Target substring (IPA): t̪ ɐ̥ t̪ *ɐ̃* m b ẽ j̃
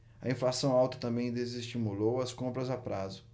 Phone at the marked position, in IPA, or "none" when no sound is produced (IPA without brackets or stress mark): ɐ̃